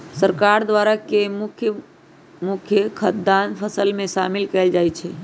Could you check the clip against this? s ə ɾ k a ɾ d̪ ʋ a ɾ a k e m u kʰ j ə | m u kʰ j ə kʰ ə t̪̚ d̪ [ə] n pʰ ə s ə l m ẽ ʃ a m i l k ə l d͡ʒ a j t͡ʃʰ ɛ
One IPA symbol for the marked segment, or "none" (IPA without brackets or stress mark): a